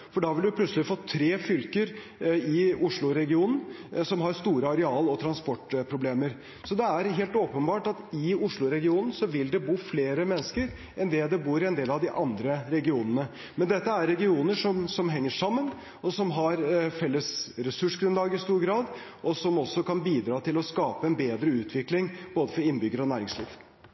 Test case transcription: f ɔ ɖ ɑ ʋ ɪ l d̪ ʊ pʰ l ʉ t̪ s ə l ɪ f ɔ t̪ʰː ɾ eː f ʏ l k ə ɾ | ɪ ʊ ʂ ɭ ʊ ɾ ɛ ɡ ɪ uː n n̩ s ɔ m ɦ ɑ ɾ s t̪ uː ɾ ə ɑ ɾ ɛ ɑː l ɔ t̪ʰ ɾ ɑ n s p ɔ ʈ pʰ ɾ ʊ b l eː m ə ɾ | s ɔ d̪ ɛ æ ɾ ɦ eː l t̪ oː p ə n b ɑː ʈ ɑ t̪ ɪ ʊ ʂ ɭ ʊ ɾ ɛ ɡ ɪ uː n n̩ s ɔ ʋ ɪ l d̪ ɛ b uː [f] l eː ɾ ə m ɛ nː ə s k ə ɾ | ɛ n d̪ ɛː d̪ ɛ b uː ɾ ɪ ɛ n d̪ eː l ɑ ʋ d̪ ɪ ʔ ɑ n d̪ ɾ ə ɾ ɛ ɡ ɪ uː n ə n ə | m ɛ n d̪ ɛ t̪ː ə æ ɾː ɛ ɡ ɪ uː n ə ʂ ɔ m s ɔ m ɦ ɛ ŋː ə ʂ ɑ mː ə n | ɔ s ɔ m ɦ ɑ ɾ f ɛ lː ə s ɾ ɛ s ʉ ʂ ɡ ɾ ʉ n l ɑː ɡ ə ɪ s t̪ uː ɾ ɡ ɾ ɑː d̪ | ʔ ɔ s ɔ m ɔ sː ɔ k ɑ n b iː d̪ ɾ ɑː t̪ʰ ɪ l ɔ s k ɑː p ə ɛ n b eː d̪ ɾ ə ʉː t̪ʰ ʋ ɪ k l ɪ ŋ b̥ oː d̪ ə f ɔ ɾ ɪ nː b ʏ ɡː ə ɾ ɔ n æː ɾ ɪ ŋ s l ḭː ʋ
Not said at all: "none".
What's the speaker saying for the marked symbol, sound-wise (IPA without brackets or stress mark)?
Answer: f